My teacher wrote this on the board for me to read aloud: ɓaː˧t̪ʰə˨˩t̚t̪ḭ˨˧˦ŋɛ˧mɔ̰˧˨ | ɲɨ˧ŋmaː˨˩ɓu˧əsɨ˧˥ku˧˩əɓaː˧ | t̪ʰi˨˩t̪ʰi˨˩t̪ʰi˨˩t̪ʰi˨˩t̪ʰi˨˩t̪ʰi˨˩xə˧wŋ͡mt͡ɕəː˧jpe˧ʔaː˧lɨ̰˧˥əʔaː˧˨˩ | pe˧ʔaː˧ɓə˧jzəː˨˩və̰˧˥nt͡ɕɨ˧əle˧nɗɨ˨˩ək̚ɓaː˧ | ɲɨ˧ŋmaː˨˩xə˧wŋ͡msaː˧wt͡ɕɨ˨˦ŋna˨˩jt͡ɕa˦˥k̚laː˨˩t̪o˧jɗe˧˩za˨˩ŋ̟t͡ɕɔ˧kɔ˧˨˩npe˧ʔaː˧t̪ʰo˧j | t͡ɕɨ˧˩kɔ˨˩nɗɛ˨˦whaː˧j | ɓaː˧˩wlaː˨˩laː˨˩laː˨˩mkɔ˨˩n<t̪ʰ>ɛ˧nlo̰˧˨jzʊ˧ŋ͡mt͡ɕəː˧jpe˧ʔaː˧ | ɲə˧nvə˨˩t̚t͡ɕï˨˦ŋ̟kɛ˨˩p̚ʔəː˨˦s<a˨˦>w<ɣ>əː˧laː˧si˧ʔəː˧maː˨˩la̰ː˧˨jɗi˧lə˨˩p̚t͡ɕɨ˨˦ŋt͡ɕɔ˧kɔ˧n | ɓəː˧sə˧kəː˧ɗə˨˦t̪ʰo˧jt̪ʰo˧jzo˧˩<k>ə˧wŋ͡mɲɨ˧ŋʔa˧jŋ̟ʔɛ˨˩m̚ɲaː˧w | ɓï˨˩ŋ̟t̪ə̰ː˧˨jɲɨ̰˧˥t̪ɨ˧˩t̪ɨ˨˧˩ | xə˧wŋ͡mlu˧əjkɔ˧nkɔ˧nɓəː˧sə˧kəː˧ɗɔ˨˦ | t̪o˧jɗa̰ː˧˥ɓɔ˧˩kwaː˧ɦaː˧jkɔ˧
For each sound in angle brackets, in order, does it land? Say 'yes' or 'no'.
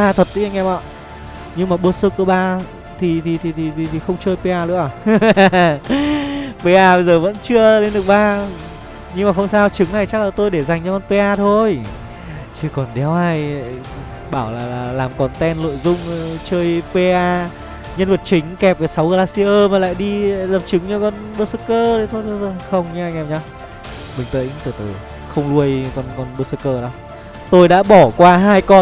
no, yes, yes, no

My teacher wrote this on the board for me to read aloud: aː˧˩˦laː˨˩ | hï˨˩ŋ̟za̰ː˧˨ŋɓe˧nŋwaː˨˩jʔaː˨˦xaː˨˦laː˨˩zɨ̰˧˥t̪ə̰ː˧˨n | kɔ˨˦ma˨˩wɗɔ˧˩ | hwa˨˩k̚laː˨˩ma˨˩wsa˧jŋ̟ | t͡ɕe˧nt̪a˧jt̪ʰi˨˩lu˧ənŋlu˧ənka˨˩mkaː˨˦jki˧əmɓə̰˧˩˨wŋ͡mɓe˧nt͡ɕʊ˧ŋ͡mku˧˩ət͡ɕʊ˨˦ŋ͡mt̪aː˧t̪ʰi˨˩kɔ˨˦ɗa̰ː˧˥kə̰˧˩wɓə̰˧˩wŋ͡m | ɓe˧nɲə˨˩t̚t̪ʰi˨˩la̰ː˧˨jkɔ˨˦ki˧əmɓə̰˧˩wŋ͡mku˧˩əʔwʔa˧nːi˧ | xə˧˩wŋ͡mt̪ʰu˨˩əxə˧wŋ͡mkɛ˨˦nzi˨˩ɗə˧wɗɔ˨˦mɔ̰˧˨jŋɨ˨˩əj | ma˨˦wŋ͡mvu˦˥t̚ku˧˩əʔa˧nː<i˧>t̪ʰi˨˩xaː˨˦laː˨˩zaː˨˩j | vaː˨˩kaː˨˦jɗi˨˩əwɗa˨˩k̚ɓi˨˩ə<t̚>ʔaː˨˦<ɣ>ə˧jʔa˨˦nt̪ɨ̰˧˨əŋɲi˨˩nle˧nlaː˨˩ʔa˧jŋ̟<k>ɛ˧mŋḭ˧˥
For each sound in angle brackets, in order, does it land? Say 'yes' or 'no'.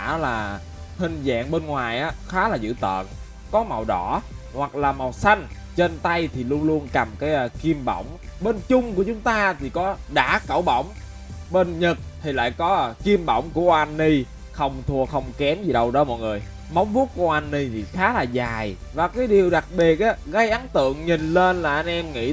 yes, yes, yes, no

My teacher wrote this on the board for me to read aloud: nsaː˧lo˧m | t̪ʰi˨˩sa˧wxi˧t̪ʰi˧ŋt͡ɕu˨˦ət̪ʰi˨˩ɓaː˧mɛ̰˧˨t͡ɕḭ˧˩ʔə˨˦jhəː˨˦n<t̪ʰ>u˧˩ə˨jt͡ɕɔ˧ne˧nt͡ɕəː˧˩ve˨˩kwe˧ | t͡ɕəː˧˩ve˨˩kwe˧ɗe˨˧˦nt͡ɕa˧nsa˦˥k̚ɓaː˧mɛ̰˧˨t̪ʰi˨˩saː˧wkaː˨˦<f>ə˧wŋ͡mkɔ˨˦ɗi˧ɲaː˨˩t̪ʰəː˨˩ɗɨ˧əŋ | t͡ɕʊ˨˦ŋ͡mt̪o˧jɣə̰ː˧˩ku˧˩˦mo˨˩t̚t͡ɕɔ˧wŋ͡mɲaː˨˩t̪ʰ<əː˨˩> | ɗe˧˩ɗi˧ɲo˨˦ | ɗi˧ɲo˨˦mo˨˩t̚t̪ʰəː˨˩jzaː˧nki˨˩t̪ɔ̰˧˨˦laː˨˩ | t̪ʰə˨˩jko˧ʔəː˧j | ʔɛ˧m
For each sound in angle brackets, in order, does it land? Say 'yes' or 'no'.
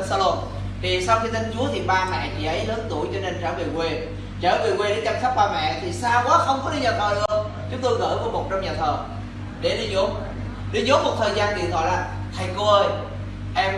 no, no, yes

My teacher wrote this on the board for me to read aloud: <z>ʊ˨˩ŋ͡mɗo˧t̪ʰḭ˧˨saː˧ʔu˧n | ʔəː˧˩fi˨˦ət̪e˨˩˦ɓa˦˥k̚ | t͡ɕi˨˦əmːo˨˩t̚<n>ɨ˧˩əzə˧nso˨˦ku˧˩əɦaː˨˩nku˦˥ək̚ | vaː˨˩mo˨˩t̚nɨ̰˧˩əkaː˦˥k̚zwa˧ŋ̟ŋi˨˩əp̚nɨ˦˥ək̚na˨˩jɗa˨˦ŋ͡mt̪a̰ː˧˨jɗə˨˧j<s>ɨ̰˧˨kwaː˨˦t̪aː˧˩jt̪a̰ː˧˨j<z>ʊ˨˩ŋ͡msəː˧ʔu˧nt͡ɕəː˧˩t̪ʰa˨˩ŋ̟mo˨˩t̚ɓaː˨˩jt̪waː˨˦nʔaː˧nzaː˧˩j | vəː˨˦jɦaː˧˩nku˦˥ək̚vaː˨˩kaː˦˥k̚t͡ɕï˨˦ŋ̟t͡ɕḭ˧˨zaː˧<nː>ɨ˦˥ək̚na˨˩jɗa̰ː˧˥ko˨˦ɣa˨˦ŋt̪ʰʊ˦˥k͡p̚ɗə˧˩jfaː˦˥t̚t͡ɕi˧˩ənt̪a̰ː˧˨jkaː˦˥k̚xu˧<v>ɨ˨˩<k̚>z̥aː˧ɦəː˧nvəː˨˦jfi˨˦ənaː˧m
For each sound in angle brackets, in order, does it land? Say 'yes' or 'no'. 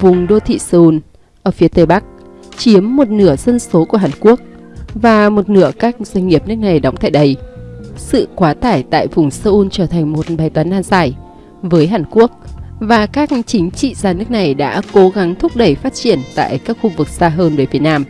no, yes, yes, no, no, yes, yes

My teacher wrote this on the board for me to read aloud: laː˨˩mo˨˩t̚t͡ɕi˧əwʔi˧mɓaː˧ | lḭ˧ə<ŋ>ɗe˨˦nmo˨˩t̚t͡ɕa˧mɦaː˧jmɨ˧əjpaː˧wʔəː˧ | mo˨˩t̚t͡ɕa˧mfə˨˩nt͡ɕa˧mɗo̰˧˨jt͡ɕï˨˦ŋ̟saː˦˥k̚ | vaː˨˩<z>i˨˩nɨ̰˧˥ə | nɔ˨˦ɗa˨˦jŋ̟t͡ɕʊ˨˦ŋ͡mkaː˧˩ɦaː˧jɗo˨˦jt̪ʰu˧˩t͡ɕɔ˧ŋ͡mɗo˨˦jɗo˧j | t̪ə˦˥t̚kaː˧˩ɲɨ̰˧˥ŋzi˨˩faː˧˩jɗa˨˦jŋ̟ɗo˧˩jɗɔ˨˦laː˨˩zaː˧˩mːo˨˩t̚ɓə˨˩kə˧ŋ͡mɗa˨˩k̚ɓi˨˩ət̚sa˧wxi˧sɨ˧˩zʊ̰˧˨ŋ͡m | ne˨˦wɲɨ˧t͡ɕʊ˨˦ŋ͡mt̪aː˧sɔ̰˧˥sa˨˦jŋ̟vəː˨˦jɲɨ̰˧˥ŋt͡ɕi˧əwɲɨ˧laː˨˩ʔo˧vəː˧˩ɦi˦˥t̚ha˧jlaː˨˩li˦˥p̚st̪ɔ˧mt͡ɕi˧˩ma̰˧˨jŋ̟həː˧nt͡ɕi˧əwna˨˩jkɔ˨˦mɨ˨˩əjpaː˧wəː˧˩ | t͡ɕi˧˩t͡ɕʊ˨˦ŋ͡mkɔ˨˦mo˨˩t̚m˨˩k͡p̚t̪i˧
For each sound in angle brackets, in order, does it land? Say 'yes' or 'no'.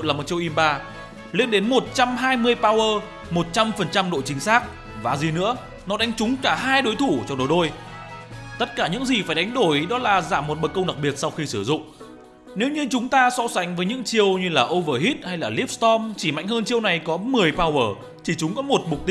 no, yes

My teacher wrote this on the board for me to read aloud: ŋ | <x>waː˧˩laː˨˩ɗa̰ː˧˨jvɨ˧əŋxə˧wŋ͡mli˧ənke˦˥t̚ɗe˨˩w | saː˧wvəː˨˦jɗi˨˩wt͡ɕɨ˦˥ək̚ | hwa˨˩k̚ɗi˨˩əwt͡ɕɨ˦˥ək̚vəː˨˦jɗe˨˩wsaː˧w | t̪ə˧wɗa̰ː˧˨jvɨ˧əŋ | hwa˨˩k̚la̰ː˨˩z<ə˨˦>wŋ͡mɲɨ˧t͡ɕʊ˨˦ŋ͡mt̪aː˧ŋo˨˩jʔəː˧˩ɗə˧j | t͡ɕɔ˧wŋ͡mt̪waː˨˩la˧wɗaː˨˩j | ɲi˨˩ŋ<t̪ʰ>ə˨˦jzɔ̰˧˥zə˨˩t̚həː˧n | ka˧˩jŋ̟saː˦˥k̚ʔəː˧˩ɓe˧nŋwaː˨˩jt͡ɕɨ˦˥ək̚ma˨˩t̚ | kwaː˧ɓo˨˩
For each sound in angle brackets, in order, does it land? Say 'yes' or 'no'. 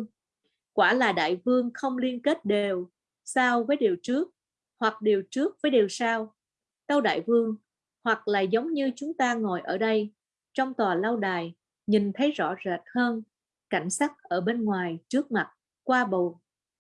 no, yes, yes

